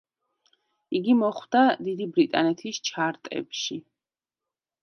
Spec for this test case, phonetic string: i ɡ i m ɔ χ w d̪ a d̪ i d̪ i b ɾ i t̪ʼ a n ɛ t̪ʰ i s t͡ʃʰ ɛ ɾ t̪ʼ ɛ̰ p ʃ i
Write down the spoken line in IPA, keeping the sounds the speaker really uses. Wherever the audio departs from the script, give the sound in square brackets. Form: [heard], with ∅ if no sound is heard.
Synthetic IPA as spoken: i ɡ i m ɔ χ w d̪ a d̪ i d̪ i b ɾ i t̪ʼ a n ɛ t̪ʰ i s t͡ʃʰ [a] ɾ t̪ʼ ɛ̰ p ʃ i